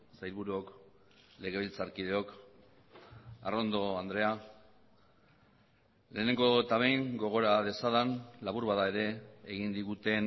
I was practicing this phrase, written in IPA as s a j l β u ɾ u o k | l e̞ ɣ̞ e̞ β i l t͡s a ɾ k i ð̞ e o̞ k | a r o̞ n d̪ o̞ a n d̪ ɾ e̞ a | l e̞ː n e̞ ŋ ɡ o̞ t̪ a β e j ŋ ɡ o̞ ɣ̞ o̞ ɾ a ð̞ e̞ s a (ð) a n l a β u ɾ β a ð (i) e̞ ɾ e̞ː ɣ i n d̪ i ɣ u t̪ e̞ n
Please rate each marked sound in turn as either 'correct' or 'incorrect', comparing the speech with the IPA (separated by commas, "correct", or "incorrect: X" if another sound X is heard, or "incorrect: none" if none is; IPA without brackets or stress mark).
correct, incorrect: a